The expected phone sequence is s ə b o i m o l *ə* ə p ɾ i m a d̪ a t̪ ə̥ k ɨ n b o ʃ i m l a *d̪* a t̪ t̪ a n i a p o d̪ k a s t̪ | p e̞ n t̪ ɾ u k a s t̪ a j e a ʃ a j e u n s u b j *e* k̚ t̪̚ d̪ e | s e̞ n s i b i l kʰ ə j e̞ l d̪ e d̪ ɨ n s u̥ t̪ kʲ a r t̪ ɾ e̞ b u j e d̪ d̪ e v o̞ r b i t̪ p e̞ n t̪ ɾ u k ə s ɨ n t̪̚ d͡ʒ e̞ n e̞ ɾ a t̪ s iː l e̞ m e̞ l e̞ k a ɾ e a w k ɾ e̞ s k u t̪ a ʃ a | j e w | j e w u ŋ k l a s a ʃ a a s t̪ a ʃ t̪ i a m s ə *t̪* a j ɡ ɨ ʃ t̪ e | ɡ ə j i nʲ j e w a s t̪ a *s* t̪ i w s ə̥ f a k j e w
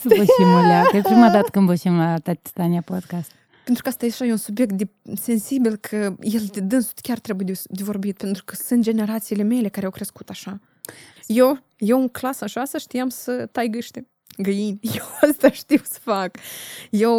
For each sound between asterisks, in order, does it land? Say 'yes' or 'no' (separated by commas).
no, no, yes, yes, no